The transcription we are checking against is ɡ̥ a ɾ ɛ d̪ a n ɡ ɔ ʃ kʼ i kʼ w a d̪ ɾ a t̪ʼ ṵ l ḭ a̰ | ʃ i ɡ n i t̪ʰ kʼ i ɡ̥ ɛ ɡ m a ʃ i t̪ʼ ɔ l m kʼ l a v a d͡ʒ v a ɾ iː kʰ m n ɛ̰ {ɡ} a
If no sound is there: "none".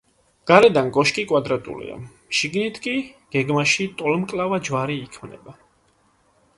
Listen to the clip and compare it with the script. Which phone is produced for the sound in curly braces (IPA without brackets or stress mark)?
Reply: b